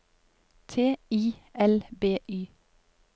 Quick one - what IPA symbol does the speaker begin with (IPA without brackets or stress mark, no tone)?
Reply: t̪ʰ